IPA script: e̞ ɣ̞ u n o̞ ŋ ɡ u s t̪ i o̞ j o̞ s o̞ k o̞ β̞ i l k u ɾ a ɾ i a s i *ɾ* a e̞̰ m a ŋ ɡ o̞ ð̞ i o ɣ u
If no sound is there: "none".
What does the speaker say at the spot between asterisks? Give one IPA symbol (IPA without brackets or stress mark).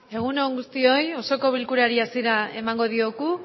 ɾ